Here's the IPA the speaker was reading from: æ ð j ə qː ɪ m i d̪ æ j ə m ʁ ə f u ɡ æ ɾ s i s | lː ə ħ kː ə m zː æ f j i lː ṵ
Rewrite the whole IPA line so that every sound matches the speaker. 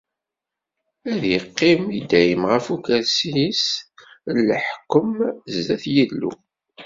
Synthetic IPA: æ ð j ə qː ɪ m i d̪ æ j ə m ʁ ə f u k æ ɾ s i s | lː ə ħ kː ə m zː æ θ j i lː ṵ

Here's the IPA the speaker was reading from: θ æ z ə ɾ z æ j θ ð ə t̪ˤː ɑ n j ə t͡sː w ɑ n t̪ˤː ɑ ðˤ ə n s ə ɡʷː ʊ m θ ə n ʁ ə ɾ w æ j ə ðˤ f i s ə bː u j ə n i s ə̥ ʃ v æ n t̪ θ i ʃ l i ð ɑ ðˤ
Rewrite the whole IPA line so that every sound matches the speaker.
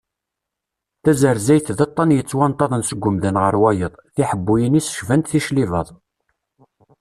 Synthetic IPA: θ æ z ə ɾ z æ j θ ð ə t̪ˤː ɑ n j ə t͡sː w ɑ n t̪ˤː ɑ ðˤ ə n s ə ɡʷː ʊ m ð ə n ʁ ə ɾ w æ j ə ðˤ θ i ħ ə bː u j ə n i s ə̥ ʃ v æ n t̪ θ i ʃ l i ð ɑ ðˤ

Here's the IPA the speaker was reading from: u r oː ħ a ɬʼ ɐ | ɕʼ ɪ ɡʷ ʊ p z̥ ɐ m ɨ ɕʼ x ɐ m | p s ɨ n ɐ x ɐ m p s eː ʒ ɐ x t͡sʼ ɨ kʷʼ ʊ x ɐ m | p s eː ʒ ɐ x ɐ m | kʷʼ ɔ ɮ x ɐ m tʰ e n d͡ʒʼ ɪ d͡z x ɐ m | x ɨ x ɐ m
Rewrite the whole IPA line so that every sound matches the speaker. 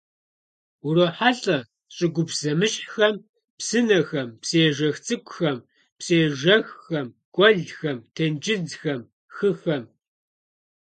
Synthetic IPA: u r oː ħ a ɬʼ ɐ | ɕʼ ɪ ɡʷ ʊ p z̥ ɐ m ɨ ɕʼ x ɐ m | p s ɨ n ɐ x ɐ m p s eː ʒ ɐ x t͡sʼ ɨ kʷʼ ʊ x ɐ m | p s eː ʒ ɐ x ɐ m | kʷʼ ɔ ɮ x ɐ m tʰ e n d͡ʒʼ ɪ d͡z x ɐ m | x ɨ x ɐ m

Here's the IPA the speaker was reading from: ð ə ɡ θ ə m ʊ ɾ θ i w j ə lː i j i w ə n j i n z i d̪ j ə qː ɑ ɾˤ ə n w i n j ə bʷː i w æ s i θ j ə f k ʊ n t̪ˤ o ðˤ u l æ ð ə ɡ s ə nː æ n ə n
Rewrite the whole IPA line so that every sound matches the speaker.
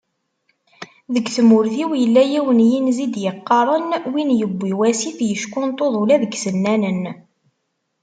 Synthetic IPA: ð ə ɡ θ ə m ʊ ɾ θ i w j ə lː æ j i w ə n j i n z i d̪ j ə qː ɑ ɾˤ ə n w i n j ə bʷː i w æ s i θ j ə ʃ k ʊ n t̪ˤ o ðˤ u l æ ð ə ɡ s ə nː æ n ə n

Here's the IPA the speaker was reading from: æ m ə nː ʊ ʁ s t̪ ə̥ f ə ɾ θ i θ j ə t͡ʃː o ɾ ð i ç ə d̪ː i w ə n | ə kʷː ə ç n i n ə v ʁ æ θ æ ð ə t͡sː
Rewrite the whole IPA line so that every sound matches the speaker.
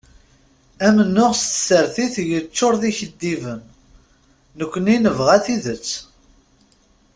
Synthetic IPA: æ m ə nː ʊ ʁ s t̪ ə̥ s ə ɾ θ i θ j ə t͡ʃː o ɾ ð i ç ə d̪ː i v ə nː | ə kʷː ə n i n ə v ʁ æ θ i ð ə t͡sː

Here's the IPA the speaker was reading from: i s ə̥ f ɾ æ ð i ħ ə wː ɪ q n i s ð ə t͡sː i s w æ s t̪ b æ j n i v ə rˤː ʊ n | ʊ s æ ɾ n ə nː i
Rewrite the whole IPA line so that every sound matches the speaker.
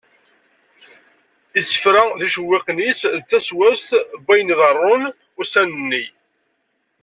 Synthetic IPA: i s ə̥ f ɾ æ ð i ʃ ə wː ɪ q n i s ð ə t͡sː æ s w æ s t̪ b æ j n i ð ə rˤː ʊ n | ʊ s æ n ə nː i

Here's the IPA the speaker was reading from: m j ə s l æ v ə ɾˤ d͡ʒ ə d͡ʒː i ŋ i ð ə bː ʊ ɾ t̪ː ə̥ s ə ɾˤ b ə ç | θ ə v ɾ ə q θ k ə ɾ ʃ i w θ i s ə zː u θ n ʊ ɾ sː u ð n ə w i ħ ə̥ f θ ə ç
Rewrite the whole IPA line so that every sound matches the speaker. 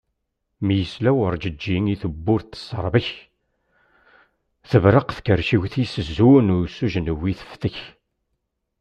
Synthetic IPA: m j ə s l æ w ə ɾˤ d͡ʒ ə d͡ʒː i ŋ i θ ə bː ʊ ɾ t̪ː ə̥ s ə ɾˤ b ə ç | θ ə v ɾ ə q θ k ə ɾ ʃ i w θ i s ə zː u n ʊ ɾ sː u ʒ n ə w i θ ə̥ f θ ə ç

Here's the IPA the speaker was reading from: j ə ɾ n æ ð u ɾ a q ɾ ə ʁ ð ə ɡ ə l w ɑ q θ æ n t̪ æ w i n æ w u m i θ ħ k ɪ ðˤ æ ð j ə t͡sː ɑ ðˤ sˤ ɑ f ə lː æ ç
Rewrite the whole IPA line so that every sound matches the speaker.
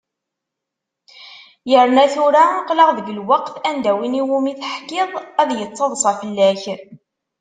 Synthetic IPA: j ə ɾ n æ θ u ɾ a q l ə ʁ ð ə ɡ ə l w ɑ q θ æ n d̪ æ w i n i w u m i θ ħ k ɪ ðˤ æ ð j ə t͡sː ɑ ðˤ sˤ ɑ f ə lː æ ç

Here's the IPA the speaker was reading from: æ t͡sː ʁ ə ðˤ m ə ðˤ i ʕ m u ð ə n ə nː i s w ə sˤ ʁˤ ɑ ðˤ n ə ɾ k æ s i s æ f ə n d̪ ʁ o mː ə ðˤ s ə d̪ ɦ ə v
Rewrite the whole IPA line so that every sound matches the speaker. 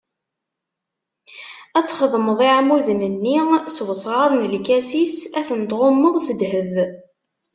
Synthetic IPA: æ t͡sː χ ə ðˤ m ə ðˤ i ʕ m u ð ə n ə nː i s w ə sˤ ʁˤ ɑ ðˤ n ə l k æ s i s æ θ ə n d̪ ʁ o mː ə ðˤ s ə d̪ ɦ ə v

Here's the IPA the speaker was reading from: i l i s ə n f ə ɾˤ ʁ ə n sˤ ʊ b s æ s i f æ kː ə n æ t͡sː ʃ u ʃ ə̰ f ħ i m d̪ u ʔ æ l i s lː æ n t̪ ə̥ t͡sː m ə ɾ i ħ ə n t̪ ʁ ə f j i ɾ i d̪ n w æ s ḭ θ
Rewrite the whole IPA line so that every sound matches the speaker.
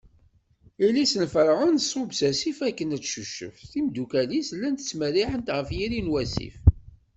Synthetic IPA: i l i s ə n f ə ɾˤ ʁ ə n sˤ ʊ b s æ s i f æ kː ə n æ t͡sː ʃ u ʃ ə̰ f θ i m d̪ u k æ l i s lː æ n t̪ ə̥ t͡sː m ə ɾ i ħ ə n t̪ ʁ ə f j i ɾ i n w æ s ḭ f

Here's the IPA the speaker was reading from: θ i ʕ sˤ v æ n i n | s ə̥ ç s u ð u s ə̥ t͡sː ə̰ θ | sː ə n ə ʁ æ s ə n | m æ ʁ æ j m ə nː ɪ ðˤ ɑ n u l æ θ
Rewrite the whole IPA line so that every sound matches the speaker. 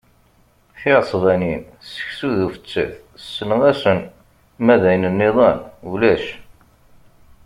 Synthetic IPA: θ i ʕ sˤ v æ n i n | s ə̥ ç s u ð u f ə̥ t͡sː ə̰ θ | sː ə n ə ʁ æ s ə n | m æ ð æ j n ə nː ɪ ðˤ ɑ n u l æ ʃ

